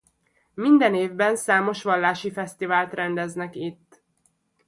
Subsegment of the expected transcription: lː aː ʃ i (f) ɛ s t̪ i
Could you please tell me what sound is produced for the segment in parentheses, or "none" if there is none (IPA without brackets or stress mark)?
f